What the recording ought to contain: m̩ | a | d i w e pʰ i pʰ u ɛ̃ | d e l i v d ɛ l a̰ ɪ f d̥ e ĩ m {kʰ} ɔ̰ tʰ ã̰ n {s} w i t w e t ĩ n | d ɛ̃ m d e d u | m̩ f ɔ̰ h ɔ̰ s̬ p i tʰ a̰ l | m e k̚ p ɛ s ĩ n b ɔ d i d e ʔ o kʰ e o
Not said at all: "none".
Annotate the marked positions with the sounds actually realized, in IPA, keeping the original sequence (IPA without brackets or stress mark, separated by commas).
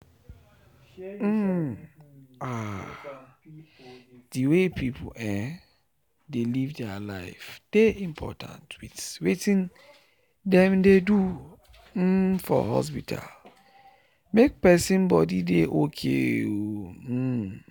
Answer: pʰ, t